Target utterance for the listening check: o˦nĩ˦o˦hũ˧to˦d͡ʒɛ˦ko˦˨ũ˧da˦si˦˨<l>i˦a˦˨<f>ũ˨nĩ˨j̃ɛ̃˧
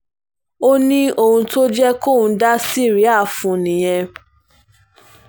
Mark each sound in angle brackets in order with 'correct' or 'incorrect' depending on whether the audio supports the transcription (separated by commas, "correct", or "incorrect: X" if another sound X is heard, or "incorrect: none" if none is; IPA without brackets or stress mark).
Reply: incorrect: ɾ, correct